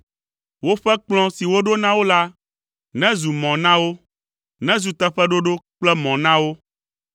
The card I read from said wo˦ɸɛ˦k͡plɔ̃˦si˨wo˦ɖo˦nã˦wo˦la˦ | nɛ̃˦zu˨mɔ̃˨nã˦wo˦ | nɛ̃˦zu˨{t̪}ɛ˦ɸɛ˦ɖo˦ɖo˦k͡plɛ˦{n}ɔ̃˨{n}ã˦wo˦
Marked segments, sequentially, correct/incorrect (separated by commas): correct, incorrect, correct